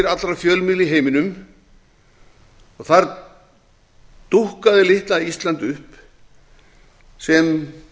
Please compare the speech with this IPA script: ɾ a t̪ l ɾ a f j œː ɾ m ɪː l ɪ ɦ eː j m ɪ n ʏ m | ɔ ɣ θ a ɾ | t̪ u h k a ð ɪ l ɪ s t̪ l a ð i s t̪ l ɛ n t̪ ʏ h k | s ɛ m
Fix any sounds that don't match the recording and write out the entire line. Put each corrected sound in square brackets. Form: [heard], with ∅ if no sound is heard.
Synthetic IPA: ɾ a t̪ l ɾ a f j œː [l] m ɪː l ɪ ɦ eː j m ɪ n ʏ m | ɔ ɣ θ a ɾ | t̪ u h k a ð ɪ l ɪ [h] t̪ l a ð i s t̪ l [a] n t̪ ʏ h [p] | s ɛ m